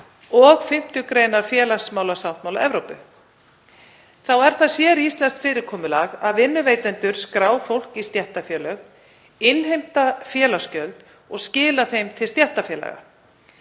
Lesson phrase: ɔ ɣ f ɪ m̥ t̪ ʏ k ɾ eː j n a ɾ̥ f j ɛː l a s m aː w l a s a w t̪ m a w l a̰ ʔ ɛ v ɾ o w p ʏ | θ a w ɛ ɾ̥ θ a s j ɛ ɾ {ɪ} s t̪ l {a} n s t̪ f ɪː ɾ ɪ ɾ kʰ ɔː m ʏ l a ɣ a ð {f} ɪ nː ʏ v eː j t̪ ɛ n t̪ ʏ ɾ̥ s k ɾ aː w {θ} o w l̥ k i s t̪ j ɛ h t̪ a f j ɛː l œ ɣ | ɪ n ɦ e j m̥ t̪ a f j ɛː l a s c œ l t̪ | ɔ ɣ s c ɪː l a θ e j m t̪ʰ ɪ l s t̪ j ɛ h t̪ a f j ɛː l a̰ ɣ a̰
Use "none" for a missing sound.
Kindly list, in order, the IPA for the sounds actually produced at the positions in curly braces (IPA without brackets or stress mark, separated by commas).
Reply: i, ɛ, v, f